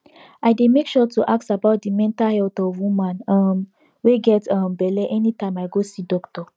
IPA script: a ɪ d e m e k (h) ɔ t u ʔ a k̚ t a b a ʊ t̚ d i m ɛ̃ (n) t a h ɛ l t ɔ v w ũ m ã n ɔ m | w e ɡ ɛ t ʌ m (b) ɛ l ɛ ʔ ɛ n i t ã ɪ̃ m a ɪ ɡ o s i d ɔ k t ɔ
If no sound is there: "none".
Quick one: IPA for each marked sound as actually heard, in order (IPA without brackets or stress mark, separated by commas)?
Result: ʃ, n, b